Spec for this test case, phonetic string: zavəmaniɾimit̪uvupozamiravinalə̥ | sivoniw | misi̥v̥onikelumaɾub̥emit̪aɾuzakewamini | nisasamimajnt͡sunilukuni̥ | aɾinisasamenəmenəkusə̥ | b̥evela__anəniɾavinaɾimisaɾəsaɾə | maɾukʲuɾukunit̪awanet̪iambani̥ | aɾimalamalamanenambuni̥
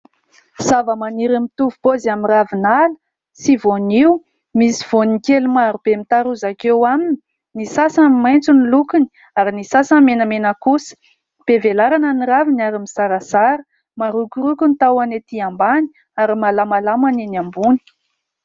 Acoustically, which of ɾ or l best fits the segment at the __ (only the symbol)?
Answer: ɾ